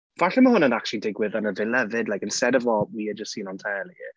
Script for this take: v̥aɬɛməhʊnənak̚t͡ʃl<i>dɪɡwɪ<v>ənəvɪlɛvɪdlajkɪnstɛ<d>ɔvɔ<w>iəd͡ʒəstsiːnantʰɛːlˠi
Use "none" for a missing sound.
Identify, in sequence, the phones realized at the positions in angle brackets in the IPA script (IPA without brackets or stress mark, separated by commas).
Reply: i, ð, d, w